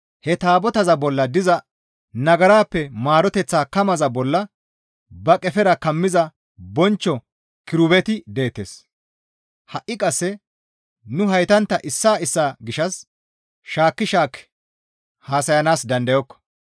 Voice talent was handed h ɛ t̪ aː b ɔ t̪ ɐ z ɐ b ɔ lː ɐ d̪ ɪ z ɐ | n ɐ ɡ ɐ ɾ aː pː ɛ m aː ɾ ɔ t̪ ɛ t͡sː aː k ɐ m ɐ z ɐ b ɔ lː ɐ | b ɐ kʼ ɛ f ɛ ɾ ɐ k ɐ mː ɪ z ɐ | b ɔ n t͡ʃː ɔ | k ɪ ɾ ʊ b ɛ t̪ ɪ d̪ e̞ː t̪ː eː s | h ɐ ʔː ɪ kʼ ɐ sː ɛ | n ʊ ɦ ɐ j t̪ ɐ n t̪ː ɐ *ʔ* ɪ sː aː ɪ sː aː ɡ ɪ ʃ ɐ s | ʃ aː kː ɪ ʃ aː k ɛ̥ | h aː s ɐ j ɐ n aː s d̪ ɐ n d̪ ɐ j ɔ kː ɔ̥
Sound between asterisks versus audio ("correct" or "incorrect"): correct